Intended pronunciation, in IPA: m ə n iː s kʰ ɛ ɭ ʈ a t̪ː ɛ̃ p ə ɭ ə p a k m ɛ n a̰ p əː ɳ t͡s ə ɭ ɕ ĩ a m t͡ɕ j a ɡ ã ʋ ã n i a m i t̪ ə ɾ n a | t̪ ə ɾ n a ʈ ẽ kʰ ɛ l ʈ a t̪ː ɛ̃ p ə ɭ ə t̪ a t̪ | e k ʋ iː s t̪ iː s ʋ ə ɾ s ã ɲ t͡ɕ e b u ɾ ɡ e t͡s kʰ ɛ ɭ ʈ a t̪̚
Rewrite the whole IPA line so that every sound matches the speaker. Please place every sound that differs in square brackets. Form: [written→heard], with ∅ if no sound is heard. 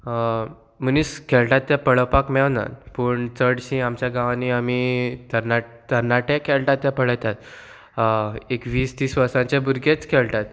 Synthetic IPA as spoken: m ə n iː s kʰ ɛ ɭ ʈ a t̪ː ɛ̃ p ə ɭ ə p a k m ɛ n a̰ p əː ɳ t͡s ə [ɭ→ɽ] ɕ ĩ a m t͡ɕ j a ɡ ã ʋ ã n i a m i t̪ ə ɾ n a | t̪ ə ɾ n a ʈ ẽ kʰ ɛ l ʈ a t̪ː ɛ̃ p ə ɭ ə t̪ a t̪ | e k ʋ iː s t̪ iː s ʋ ə ɾ s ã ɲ t͡ɕ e b u ɾ ɡ e t͡s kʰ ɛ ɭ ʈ a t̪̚